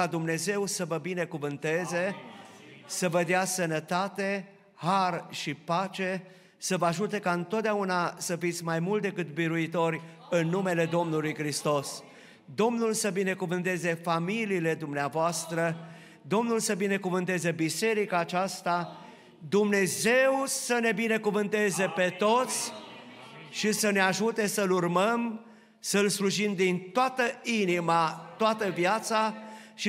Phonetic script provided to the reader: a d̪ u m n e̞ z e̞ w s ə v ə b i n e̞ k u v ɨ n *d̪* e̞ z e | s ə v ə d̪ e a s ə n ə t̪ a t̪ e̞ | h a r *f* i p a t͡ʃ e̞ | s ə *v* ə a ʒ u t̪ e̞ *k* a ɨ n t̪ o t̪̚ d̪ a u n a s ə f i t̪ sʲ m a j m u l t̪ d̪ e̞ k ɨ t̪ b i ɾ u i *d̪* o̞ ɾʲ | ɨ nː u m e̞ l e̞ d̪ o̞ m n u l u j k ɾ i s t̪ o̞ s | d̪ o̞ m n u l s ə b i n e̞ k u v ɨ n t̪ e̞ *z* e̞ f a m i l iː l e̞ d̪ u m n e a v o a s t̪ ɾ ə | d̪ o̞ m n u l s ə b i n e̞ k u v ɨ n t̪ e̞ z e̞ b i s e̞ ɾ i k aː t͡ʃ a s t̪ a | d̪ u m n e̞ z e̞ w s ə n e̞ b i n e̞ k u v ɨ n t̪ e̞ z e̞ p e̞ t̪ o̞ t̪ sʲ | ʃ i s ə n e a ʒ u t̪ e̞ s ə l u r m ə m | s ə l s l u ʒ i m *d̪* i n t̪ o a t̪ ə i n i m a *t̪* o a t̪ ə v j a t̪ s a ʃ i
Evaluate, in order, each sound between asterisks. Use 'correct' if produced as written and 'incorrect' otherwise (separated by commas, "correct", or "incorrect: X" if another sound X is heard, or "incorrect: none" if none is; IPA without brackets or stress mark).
incorrect: t̪, incorrect: ʃ, correct, correct, incorrect: t̪, correct, correct, correct